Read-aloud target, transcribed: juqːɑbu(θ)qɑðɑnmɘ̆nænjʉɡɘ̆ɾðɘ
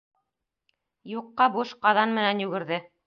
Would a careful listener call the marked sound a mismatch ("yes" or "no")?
yes